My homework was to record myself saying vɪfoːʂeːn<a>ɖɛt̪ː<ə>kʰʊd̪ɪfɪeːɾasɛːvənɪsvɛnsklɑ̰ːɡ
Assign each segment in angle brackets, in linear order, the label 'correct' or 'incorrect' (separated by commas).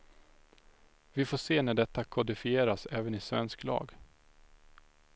incorrect, incorrect